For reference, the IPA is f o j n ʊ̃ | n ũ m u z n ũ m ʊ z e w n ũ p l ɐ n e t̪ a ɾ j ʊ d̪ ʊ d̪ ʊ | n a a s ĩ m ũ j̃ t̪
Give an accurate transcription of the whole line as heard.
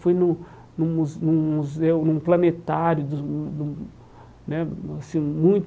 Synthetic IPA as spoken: f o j n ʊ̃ | n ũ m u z n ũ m u z e w n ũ p l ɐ n e t̪ a ɾ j ʊ d̪ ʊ d̪ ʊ | n ɛ a s ĩ m ũ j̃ t̪